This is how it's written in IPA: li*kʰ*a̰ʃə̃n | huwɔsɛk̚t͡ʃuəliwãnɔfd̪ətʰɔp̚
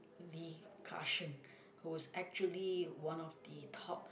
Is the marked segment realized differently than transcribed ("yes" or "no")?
no